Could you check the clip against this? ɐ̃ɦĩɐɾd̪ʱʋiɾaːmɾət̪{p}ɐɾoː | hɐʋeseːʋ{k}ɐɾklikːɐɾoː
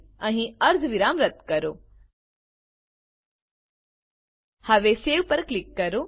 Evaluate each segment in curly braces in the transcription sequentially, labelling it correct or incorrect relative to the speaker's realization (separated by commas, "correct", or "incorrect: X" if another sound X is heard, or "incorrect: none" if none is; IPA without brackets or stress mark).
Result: incorrect: k, incorrect: p